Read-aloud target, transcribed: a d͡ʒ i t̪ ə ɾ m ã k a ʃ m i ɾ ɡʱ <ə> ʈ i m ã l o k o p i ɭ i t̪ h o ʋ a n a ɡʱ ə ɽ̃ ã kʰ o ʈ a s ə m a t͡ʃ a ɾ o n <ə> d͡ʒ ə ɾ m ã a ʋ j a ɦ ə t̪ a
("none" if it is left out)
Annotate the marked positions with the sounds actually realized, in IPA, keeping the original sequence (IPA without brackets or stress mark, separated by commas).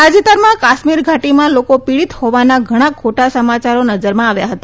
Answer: a, ə